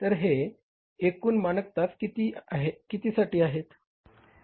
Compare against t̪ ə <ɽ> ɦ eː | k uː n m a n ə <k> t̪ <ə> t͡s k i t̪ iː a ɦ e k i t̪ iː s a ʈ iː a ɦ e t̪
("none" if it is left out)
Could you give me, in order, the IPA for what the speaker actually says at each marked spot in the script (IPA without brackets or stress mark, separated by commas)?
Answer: ɾ, k, a